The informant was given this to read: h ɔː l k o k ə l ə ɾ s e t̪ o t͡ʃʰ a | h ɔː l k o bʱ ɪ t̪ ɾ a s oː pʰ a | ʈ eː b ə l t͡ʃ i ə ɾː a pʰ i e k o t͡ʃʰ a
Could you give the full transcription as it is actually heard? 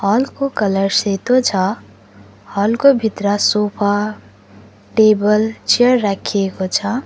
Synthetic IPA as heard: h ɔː l k o k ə l ə ɾ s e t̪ o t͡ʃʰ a | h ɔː l k o bʱ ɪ t̪ ɾ a s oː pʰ a | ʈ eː b ə l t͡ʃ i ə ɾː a kʰ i e k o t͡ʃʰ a